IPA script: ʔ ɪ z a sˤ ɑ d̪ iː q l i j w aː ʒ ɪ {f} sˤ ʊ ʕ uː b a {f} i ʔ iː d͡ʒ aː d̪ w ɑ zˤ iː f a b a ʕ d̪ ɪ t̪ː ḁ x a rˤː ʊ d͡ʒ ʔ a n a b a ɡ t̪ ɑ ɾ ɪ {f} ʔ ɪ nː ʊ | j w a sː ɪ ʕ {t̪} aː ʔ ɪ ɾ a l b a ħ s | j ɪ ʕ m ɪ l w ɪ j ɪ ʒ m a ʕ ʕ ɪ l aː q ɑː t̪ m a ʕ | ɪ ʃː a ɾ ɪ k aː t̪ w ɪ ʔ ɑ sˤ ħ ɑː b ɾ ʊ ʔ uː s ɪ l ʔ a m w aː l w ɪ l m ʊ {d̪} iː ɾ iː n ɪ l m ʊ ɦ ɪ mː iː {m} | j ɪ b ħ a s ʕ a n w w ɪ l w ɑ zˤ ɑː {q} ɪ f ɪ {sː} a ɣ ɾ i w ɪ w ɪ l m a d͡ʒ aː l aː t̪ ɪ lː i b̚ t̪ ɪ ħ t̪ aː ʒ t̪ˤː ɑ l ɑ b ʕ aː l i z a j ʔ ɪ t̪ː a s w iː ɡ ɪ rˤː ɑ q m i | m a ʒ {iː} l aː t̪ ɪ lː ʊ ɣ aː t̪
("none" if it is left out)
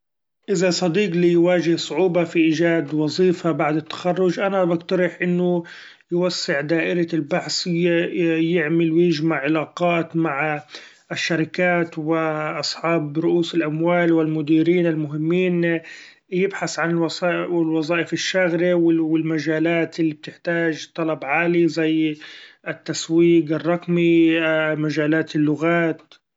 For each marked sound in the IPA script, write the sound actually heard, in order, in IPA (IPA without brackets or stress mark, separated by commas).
h, f, ħ, d̪, d̪, n, ʔ, ʃː, aː